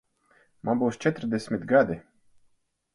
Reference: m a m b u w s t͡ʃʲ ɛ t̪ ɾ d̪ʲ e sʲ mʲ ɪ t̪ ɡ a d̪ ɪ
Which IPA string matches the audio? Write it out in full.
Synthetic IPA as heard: m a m b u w s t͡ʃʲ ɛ t̪ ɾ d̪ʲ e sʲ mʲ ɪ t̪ ɡ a d̪ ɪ